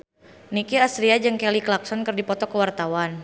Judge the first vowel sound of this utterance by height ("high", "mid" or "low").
high